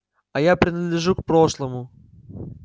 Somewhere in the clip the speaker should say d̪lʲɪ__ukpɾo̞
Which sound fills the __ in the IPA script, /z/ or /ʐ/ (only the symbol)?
ʐ